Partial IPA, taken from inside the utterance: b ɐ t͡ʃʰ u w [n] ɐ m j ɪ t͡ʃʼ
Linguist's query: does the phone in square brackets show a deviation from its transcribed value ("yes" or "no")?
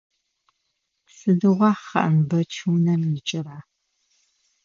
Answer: no